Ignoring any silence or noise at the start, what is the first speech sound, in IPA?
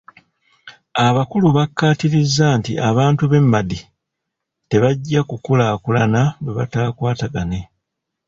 a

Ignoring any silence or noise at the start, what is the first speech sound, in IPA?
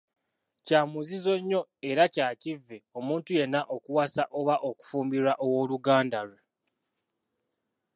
c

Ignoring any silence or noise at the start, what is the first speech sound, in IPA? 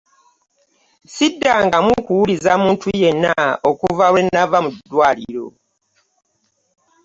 s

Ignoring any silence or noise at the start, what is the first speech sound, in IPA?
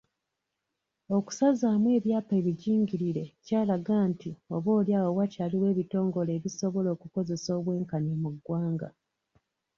o̞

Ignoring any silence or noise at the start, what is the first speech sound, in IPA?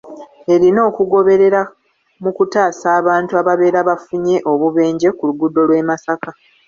e̞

